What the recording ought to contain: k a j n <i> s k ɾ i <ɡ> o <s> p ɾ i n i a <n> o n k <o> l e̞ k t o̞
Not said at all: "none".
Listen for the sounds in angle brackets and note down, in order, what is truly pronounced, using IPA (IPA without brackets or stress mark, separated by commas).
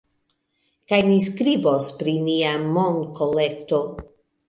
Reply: i, b, s, m, o